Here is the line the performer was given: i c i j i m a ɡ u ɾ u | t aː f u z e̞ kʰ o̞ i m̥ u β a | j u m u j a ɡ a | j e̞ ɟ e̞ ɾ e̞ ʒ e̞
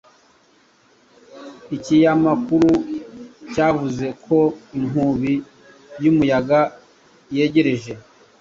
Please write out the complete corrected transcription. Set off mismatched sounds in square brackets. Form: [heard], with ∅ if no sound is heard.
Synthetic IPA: i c i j [a] m a [k] u ɾ u | [c] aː [v] u z e̞ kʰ o̞ i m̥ u β [i] | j u m u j a ɡ a | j e̞ ɟ e̞ ɾ e̞ ʒ e̞